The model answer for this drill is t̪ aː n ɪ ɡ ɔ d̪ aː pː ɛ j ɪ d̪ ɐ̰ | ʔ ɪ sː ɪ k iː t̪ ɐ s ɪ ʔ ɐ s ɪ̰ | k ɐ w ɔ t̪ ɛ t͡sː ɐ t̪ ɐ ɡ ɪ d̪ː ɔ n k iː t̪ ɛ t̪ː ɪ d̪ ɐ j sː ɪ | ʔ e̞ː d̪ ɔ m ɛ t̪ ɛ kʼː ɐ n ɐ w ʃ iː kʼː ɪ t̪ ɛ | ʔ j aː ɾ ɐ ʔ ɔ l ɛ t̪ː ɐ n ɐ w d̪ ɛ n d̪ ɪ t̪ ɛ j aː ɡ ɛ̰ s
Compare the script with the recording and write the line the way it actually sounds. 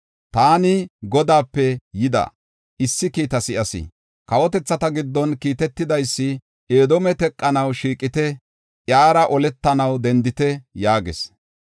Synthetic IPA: t̪ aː n ɪ ɡ ɔ d̪ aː pː ɛ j ɪ d̪ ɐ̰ | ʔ ɪ sː ɪ k iː t̪ ɐ s ɪ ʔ ɐ s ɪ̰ | k ɐ w ɔ t̪ ɛ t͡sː ɐ t̪ ɐ ɡ ɪ d̪ː ɔ n k iː t̪ ɛ t̪ː ɪ d̪ ɐ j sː ɪ | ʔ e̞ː d̪ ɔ m ɛ t̪ ɛ kʼː ɐ n ɐ w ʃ iː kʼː ɪ t̪ ɛ | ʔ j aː ɾ ɐ ʔ ɔ l ɛ t̪ː ɐ n ɐ w d̪ ɛ n d̪ ɪ t̪ ɛ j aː ɡ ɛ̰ s